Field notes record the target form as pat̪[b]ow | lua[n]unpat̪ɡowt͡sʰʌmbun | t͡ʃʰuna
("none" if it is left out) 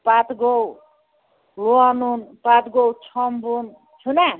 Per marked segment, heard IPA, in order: ɡ, n

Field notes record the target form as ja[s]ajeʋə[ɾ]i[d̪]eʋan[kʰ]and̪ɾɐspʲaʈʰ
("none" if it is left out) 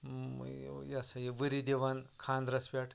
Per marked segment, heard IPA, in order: s, ɾ, d̪, kʰ

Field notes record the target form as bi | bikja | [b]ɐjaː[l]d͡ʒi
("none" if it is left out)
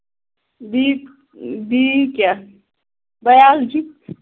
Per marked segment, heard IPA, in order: b, l

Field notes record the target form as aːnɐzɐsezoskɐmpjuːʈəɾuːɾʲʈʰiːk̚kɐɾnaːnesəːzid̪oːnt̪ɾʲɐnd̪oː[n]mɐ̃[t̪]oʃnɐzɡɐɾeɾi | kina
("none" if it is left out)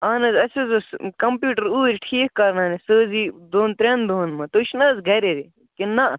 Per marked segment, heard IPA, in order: n, t̪

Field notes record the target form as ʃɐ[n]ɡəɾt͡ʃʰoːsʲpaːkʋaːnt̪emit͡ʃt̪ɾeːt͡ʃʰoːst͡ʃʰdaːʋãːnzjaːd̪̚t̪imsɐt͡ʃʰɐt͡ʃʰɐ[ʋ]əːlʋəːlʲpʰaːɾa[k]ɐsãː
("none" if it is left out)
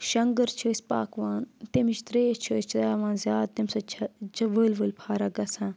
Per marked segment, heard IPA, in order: ŋ, ʋ, ɡ

